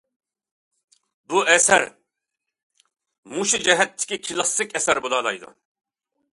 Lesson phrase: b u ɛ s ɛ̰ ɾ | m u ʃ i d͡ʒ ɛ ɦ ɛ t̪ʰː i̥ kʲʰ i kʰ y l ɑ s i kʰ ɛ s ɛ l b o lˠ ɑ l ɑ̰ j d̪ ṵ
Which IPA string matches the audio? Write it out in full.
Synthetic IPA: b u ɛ s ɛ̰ ɾ | m u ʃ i d͡ʒ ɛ ɦ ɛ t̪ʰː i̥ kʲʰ i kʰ i l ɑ s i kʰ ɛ s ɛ ɾ b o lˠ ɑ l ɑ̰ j d̪ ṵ